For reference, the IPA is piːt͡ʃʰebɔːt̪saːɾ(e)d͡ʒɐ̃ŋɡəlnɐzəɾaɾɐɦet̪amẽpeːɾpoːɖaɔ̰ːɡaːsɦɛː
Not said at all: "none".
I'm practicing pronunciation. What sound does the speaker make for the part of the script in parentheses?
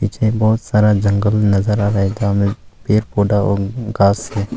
a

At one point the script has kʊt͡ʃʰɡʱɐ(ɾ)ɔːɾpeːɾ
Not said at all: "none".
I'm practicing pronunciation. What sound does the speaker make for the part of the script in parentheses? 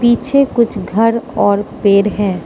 ɾ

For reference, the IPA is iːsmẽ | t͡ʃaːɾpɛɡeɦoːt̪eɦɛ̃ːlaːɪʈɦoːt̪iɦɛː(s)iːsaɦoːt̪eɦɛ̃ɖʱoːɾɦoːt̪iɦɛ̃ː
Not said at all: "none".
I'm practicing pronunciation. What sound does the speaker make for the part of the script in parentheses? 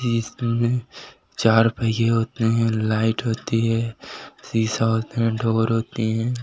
s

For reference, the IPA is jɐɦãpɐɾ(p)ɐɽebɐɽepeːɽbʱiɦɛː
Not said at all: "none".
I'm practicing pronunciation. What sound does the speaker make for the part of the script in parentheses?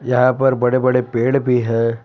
b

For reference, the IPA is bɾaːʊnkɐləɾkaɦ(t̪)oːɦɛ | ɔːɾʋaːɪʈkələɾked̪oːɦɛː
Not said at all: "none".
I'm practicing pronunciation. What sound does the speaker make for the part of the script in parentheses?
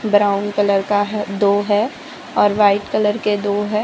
d̪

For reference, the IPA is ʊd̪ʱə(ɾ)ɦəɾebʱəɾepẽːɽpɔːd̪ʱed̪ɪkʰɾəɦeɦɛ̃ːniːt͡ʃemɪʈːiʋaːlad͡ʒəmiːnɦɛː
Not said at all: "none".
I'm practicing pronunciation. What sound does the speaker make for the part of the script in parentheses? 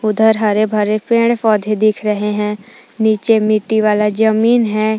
ɾ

